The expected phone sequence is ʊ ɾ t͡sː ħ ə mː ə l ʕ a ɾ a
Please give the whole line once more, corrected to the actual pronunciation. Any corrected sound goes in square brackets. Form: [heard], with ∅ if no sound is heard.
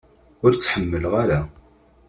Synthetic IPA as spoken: ʊ ɾ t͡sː ħ ə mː ə l [ʁ] a ɾ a